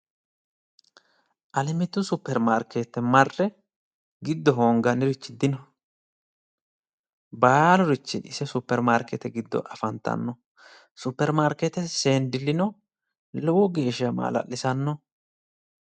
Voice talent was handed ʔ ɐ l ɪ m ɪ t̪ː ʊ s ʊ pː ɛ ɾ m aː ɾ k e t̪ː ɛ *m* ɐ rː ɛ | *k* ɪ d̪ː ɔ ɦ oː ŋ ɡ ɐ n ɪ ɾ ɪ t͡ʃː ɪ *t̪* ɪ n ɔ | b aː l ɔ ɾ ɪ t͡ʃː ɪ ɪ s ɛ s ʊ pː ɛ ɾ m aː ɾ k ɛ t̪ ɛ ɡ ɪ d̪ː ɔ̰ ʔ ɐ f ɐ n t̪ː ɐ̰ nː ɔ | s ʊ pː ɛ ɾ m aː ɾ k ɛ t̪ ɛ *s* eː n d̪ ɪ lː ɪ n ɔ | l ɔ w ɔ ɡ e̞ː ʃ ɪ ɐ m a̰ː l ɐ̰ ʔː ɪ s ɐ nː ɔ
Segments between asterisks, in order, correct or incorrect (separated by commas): correct, incorrect, incorrect, correct